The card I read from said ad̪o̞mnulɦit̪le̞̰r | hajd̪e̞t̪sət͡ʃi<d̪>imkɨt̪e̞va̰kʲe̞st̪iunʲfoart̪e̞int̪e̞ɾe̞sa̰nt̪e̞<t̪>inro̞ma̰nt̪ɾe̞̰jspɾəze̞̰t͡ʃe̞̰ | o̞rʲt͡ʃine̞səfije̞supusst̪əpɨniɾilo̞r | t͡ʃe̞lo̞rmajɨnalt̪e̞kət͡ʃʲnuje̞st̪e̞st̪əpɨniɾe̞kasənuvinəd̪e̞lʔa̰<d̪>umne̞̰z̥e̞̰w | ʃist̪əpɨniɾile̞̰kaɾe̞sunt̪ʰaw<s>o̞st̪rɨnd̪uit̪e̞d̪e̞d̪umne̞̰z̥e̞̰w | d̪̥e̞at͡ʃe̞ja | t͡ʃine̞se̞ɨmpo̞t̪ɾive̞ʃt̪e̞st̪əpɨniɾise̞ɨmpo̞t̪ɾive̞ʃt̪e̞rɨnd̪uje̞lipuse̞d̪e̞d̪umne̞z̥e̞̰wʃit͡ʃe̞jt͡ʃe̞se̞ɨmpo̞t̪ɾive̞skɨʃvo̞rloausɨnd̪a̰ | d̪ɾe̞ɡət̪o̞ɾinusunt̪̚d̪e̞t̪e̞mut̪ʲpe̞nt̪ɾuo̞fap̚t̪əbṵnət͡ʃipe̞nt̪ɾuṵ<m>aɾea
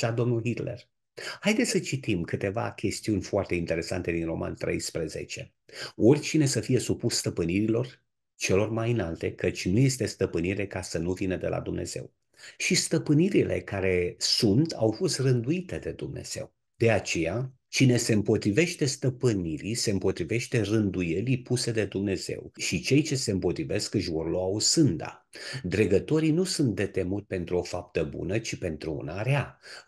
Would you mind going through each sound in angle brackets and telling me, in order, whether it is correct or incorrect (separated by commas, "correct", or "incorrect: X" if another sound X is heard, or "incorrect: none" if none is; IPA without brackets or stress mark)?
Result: incorrect: t̪, incorrect: d̪, correct, incorrect: f, incorrect: n